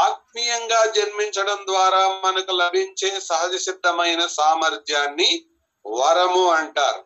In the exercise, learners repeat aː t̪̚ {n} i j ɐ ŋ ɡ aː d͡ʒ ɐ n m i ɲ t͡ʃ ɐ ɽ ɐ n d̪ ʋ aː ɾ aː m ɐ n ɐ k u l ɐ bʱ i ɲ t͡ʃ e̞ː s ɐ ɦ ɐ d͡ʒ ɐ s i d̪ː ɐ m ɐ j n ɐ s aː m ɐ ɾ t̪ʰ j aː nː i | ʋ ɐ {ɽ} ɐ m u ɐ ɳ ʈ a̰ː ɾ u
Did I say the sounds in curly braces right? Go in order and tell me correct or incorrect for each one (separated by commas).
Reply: incorrect, incorrect